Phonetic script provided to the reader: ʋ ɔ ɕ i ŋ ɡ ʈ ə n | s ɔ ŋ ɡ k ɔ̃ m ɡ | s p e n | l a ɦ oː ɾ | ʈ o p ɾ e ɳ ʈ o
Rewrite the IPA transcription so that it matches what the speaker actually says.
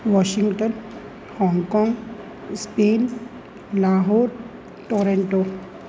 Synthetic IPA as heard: ʋ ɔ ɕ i ŋ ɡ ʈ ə n | h ɔ ŋ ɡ k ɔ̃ ŋ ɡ | s p e n | l a ɦ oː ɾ | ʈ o ɾ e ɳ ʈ o